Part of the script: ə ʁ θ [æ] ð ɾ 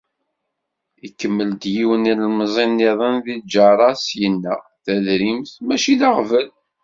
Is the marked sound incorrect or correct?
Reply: correct